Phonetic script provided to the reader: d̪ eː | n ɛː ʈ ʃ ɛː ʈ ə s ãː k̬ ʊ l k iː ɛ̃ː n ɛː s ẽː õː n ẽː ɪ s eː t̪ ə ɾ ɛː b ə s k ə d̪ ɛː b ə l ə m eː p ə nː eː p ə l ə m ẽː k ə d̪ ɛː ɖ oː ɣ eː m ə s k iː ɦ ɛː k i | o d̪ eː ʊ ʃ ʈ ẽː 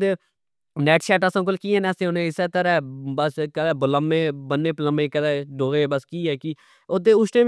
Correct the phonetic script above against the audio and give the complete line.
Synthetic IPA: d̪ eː | n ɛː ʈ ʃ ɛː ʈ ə s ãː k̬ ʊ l k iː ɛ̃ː n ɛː s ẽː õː n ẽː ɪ s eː t̪ ə ɾ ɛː b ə s k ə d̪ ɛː b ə l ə m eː b ə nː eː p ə l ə m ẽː k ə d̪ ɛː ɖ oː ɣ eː b ə s k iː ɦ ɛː k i | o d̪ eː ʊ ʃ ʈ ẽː